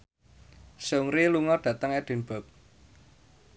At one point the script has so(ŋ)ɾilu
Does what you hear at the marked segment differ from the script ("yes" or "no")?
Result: no